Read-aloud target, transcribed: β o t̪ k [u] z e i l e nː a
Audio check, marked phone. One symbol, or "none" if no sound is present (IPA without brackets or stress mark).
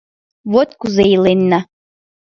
u